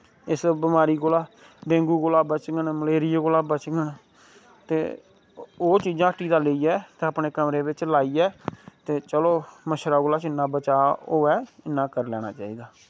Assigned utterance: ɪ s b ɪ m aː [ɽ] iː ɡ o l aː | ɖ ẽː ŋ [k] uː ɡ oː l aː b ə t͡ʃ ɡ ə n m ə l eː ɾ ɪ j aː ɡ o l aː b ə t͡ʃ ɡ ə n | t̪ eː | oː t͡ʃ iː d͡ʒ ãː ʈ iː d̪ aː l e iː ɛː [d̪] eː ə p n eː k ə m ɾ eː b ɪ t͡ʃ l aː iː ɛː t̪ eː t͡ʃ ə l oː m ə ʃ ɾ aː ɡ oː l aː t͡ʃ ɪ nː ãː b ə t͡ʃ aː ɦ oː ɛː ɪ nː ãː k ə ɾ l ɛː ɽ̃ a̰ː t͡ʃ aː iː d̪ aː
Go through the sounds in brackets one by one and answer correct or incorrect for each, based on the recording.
incorrect, incorrect, incorrect

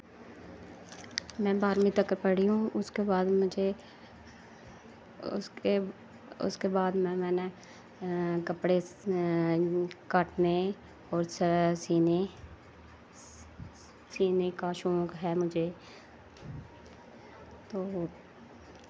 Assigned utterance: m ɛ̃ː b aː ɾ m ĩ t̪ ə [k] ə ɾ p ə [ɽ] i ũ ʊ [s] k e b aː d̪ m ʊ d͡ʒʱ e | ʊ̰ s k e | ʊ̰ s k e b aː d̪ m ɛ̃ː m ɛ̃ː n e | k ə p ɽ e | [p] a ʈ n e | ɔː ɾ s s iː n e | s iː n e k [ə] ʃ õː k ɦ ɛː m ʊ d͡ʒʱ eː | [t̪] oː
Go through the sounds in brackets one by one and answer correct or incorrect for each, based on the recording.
correct, correct, correct, incorrect, incorrect, correct

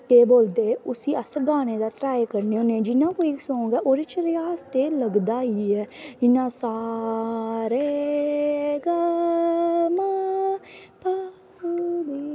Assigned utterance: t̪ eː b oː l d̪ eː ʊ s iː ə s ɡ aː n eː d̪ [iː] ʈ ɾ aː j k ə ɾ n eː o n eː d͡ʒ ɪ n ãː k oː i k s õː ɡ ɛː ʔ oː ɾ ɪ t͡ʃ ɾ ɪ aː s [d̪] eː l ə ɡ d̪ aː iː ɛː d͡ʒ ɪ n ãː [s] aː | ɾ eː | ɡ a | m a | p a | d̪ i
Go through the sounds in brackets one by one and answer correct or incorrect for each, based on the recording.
incorrect, incorrect, correct

